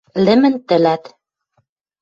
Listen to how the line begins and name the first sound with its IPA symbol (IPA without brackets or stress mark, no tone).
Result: l